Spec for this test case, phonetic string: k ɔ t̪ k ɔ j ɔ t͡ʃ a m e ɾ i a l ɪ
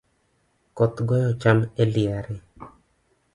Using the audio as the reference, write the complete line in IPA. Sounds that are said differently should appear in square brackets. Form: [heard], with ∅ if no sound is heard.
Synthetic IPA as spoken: k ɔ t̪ [ɡ] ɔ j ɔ t͡ʃ a m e [l] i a [ɾ] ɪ

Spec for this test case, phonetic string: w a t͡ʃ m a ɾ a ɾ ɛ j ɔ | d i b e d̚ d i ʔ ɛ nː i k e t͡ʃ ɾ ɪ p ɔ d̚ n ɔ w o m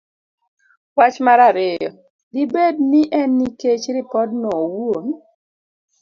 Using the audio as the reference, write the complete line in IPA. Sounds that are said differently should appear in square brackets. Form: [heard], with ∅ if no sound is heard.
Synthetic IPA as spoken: w a t͡ʃ m a ɾ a ɾ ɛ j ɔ | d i b e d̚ [n] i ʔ ɛ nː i k e t͡ʃ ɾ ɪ p ɔ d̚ n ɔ w o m

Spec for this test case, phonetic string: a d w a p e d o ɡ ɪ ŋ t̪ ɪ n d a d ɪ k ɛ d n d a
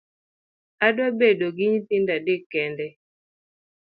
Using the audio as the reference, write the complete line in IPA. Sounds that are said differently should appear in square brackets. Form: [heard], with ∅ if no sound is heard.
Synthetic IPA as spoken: a d w a [b] e d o ɡ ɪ [ɲ] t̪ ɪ n d a d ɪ k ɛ [∅] n d [ɛ]

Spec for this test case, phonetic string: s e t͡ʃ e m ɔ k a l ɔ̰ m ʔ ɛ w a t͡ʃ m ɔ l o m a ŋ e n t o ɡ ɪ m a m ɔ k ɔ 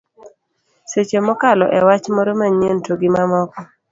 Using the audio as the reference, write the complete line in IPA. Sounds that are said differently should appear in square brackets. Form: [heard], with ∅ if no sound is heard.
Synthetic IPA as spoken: s e t͡ʃ e m ɔ k a l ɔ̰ [∅] ʔ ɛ w a t͡ʃ m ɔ [ɾ] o m a [ɲ] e n t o ɡ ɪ m a m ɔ k ɔ

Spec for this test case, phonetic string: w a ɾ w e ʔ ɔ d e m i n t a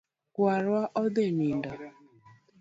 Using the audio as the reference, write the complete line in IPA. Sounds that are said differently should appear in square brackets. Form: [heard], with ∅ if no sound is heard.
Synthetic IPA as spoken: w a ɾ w [a] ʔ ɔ d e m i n [d] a

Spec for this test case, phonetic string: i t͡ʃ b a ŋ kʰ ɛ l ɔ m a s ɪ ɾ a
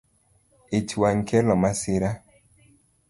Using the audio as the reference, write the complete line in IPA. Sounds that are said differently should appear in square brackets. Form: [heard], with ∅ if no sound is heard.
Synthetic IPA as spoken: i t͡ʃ [w] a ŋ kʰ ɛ l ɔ m a s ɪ ɾ a

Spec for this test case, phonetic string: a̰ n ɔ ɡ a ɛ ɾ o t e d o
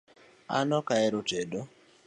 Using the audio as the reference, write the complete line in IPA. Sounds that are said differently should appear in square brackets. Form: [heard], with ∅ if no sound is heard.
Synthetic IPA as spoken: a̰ n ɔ [k] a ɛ ɾ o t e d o

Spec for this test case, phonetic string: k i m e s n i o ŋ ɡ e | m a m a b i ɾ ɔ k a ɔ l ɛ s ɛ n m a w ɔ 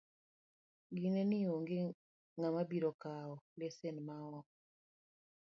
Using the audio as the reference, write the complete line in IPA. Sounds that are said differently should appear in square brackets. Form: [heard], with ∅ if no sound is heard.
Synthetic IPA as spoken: [ɡ] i [n] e [∅] n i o ŋ ɡ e | [ŋ] a m a b i ɾ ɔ k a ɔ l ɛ s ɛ n m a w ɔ

